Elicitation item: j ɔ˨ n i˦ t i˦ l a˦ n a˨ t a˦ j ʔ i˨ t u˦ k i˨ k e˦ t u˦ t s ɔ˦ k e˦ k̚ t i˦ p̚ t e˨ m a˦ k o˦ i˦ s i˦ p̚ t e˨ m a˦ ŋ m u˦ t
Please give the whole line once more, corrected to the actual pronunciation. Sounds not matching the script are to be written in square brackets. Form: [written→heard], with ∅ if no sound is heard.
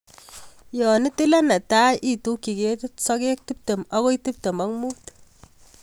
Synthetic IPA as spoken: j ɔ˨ n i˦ t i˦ l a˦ n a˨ t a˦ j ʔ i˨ t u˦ k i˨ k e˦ t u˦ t s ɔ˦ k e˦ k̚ t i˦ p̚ t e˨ m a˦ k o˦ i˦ [s→t] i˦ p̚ t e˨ m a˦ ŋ m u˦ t